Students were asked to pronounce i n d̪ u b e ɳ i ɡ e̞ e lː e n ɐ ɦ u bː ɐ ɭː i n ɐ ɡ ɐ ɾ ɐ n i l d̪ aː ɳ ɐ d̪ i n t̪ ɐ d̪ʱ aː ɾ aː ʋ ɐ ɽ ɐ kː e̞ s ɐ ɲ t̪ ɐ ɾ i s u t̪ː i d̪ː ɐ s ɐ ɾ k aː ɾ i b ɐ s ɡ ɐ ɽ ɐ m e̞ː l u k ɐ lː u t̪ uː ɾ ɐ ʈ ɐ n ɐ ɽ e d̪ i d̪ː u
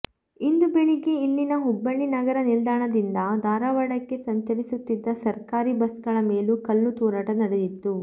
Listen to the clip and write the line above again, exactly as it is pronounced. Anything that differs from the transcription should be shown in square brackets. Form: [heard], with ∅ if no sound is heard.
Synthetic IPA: i n d̪ u b e ɳ i ɡ e̞ [i] lː [i] n ɐ ɦ u bː ɐ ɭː i n ɐ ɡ ɐ ɾ ɐ n i l d̪ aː ɳ ɐ d̪ i n [d̪] ɐ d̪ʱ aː ɾ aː ʋ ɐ ɽ ɐ kː e̞ s ɐ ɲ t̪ ɐ ɾ i s u t̪ː i d̪ː ɐ s ɐ ɾ k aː ɾ i b ɐ s ɡ ɐ [ɭ] ɐ m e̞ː l u k ɐ lː u t̪ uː ɾ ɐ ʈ ɐ n ɐ ɽ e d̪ i [t̪ː] u